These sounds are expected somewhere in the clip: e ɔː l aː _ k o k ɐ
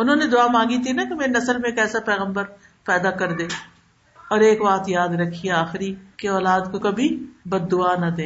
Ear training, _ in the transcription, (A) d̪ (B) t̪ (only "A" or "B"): A